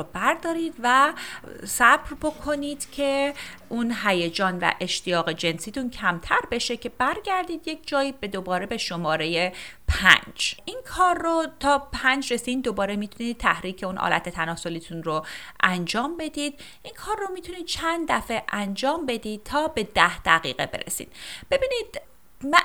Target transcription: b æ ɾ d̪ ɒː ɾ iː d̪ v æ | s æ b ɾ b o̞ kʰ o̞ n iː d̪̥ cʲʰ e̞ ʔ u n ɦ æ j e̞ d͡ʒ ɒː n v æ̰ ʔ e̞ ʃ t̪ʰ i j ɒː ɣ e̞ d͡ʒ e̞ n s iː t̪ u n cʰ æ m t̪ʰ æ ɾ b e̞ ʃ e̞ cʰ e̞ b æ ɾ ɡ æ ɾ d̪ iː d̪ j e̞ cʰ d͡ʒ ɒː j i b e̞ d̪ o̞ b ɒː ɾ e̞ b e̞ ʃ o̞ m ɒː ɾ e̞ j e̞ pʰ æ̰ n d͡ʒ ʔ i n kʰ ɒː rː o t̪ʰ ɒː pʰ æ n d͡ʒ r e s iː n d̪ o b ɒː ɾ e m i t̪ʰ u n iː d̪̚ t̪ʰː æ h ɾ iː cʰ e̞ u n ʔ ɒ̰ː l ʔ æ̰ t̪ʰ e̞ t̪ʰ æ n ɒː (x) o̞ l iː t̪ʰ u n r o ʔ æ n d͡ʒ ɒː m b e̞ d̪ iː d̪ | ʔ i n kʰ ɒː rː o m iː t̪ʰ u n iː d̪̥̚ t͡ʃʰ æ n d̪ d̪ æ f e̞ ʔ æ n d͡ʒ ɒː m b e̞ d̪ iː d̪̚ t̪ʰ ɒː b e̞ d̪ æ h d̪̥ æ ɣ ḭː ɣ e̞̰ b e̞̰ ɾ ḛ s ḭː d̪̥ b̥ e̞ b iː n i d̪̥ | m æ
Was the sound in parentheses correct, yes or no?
no